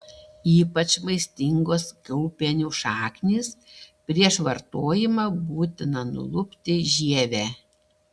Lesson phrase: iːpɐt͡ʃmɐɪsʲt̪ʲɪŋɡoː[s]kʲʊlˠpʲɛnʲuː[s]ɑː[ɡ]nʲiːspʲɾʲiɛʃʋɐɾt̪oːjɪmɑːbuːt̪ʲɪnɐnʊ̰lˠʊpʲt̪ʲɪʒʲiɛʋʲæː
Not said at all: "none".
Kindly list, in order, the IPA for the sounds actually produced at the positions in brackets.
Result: s, ʃ, k

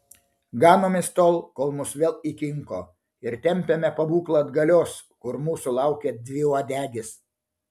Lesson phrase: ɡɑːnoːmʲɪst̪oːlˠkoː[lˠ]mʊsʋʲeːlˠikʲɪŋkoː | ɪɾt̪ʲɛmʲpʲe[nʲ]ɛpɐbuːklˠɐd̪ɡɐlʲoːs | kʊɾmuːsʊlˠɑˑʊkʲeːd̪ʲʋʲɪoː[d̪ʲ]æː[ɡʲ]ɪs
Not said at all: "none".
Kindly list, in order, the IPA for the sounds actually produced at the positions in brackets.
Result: lˠ, mʲ, d̪ʲ, ɡʲ

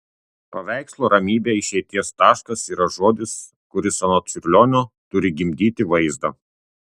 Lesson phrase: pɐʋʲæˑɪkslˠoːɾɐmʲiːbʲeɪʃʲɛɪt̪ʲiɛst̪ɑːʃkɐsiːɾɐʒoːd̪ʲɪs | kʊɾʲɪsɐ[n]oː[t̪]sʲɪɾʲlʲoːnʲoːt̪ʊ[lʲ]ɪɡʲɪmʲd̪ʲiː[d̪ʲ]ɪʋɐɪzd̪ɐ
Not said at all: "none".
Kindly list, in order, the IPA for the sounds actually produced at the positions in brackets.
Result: n, t̪, ɾʲ, t̪ʲ

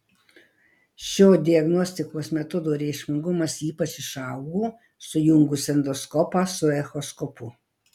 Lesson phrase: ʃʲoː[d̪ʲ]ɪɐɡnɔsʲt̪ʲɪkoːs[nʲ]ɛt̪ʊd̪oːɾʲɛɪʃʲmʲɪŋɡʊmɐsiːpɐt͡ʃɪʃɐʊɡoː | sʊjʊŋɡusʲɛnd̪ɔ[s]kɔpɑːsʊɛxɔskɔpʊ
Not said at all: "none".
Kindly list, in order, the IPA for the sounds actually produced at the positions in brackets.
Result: d̪ʲ, mʲ, s

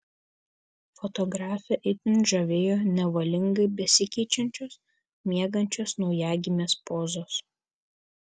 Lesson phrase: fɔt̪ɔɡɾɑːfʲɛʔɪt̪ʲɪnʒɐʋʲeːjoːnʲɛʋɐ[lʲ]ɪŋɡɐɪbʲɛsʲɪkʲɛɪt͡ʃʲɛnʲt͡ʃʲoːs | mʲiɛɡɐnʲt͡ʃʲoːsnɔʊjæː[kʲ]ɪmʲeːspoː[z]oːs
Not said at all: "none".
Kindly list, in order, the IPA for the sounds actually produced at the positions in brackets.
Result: lʲ, ɡʲ, z

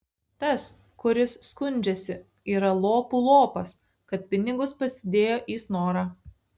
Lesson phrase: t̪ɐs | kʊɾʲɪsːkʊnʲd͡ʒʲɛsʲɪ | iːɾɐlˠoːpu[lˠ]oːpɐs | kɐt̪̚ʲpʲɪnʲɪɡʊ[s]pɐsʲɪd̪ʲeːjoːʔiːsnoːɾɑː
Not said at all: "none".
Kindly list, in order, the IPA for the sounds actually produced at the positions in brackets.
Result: lˠ, s

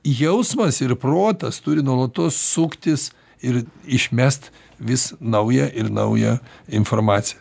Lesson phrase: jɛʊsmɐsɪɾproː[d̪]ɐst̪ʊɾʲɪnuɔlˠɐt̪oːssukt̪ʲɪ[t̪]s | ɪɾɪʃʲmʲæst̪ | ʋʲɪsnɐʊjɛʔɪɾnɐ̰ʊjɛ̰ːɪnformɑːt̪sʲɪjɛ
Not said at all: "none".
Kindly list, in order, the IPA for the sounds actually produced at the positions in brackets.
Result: t̪, none

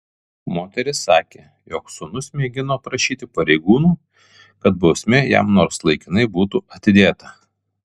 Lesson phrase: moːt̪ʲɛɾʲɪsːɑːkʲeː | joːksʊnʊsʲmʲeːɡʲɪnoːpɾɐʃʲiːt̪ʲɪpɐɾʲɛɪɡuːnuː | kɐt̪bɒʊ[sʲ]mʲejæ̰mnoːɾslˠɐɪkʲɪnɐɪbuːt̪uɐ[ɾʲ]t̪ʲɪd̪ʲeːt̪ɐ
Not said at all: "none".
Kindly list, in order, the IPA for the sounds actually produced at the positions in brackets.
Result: sʲ, none

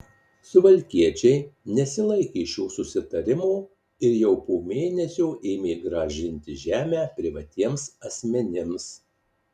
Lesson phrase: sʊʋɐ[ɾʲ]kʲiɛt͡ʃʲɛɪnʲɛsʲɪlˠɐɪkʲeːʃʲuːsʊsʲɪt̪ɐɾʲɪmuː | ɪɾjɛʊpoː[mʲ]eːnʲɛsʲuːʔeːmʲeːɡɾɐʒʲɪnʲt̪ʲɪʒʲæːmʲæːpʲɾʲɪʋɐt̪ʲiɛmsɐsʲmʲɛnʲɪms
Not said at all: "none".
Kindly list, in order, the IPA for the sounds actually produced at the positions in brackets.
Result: lʲ, mʲ

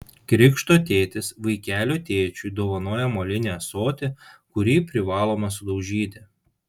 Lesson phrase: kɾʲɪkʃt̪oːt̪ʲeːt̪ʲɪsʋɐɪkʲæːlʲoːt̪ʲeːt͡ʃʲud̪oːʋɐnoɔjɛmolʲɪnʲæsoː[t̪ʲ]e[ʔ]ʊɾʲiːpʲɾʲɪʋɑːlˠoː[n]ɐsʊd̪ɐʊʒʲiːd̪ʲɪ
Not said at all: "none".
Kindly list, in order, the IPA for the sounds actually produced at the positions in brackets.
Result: t̪ʲ, k, m

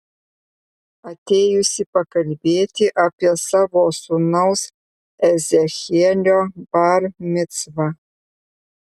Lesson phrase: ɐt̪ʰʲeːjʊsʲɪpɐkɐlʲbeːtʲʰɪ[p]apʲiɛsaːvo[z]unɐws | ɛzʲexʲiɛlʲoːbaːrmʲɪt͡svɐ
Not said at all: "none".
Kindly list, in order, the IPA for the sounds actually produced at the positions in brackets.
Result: ʔ, s

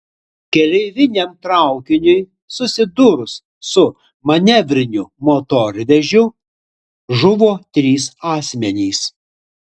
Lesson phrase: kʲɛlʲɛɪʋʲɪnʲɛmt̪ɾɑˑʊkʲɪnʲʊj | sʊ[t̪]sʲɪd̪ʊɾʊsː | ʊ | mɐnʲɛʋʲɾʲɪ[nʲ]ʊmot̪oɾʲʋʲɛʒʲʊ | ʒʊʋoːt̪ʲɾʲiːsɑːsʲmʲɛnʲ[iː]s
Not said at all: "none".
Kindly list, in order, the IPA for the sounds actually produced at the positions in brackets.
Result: none, nʲ, iː

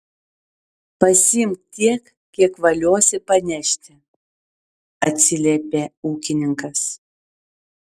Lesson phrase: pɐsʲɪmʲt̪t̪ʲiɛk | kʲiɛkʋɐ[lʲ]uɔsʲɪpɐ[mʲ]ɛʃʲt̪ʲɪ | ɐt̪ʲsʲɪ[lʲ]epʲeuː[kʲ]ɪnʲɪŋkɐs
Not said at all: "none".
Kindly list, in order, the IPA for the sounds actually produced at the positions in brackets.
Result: lʲ, nʲ, lʲ, kʲ

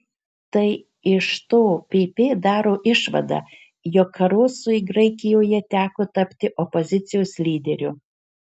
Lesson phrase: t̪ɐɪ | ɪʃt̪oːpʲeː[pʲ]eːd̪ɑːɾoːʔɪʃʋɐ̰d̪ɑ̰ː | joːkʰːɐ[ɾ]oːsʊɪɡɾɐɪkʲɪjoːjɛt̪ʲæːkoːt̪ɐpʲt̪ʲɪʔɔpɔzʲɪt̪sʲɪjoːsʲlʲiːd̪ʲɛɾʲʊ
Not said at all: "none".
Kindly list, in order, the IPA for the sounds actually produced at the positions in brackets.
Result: pʲ, ɾ

